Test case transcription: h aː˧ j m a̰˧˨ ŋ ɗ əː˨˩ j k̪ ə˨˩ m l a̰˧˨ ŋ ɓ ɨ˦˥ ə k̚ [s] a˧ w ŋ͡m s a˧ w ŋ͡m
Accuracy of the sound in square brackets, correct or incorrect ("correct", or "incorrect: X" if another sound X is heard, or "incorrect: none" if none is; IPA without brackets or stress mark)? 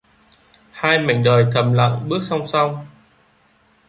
correct